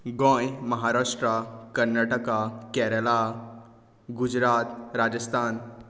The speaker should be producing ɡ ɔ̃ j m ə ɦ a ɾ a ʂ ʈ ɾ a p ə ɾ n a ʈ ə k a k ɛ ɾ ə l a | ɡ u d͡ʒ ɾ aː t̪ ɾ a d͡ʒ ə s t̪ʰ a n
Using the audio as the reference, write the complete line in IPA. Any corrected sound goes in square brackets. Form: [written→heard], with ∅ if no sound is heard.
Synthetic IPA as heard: ɡ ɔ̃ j m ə ɦ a ɾ a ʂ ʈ ɾ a [p→k] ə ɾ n a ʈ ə k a k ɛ ɾ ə l a | ɡ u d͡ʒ ɾ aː t̪ ɾ a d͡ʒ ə s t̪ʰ a n